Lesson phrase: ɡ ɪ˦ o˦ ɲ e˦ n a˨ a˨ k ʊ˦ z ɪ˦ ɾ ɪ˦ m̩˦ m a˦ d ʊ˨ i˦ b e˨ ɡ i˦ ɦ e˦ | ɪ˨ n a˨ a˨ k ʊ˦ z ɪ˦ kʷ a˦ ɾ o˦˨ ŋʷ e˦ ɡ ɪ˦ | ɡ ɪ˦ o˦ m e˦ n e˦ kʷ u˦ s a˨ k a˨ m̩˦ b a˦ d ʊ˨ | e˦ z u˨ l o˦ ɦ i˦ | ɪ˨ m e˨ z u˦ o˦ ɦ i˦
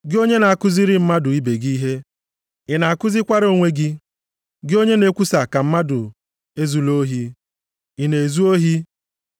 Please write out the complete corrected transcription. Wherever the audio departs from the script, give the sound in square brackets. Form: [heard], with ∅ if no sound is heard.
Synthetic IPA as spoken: ɡ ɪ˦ o˦ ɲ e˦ n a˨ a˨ k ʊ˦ z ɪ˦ ɾ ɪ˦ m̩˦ m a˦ d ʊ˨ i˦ b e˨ ɡ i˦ ɦ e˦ | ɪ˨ n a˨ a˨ k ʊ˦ z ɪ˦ kʷ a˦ ɾ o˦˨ ŋʷ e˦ ɡ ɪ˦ | ɡ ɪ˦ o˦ [ɲ] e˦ n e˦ kʷ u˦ s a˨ k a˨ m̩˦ [m] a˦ d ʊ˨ | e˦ z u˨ l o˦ ɦ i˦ | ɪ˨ [n] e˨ z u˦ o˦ ɦ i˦